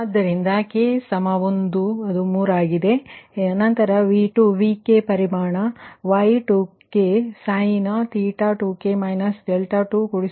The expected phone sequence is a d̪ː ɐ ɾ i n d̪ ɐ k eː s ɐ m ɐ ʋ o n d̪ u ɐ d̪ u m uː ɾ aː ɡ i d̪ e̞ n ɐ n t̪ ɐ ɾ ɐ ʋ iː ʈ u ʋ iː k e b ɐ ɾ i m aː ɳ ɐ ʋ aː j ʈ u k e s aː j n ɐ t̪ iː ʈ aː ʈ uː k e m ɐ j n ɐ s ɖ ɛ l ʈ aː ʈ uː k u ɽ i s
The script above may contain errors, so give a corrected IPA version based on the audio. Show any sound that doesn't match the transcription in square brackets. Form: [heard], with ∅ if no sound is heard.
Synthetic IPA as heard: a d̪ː ɐ ɾ i n d̪ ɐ k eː s ɐ m ɐ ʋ o n d̪ u ɐ d̪ u m uː ɾ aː ɡ i d̪ e̞ n ɐ n t̪ ɐ ɾ ɐ ʋ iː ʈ u ʋ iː k e [p] ɐ ɾ i m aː ɳ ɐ ʋ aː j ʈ u k e s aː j n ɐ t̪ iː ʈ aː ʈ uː k e m ɐ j n ɐ s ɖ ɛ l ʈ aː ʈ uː k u ɽ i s